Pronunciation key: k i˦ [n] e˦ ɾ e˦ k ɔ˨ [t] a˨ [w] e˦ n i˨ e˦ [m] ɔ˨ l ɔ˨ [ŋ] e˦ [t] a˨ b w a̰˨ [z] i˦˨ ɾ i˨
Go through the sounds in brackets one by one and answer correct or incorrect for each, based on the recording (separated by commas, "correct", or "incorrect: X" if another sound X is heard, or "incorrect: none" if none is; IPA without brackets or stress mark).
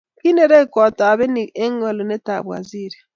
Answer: correct, correct, incorrect: β, incorrect: ŋ, incorrect: n, correct, correct